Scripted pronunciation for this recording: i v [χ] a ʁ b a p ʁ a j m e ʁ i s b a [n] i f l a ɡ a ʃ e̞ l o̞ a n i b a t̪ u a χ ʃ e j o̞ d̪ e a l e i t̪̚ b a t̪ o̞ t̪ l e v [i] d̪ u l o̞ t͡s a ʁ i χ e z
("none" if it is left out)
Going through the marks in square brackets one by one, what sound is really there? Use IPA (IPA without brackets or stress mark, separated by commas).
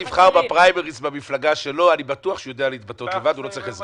χ, m, a